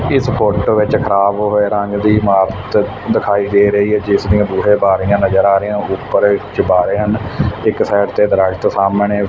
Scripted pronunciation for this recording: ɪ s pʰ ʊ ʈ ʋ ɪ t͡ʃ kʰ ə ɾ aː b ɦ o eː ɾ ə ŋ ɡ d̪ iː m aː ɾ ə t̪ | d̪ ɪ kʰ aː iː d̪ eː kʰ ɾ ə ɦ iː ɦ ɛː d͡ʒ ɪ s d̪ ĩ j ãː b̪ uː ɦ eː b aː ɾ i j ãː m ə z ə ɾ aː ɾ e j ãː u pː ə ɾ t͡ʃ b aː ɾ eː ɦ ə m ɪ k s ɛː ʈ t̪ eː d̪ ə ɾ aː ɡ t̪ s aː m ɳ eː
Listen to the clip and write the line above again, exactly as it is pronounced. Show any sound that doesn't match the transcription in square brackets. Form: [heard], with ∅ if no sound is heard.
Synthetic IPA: ɪ s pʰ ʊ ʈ ʋ ɪ t͡ʃ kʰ ə ɾ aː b ɦ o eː ɾ ə ŋ ɡ d̪ iː m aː ɾ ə t̪ | d̪ ɪ kʰ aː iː d̪ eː [∅] ɾ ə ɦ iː ɦ ɛː d͡ʒ ɪ s d̪ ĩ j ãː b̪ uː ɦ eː b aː ɾ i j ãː [n] ə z ə ɾ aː ɾ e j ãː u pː ə ɾ t͡ʃ b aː ɾ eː ɦ ə [n] ɪ k s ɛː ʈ t̪ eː d̪ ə ɾ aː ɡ t̪ s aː m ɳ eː